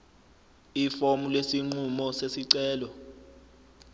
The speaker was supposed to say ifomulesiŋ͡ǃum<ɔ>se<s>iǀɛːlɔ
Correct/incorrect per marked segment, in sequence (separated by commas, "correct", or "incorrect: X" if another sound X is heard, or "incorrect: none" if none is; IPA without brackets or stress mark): correct, correct